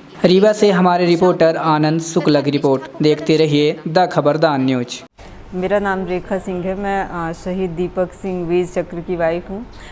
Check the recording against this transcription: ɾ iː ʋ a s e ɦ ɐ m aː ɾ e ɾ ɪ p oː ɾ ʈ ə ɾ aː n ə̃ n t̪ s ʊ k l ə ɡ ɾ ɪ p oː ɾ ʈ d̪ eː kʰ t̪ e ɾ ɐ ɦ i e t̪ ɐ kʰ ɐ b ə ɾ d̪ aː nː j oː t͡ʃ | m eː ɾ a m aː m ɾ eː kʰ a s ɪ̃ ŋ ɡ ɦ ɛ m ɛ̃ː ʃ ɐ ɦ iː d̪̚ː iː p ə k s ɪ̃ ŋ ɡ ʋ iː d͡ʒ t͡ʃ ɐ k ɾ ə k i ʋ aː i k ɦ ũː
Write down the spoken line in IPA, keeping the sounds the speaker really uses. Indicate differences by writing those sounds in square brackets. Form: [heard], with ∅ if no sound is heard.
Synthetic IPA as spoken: ɾ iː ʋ a s e ɦ ɐ m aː ɾ e ɾ ɪ p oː ɾ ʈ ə ɾ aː n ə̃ n [d̪] s ʊ k l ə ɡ ɾ ɪ p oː ɾ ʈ d̪ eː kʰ t̪ e ɾ ɐ ɦ i e [d̪] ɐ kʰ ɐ b ə ɾ d̪ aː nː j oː t͡ʃ | m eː ɾ a [n] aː m ɾ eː kʰ a s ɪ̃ ŋ ɡ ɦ ɛ m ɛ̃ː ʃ ɐ ɦ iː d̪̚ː iː p ə k s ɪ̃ ŋ ɡ ʋ iː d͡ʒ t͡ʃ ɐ k ɾ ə k i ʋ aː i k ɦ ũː